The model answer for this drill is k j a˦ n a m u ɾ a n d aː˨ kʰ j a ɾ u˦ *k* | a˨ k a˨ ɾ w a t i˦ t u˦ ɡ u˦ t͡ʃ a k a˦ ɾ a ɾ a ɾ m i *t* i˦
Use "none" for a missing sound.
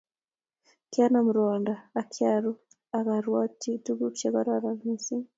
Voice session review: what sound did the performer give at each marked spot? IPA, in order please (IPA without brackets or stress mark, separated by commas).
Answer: none, s